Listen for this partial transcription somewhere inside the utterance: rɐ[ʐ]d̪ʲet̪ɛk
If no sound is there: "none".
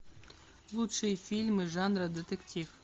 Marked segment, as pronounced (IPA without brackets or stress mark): none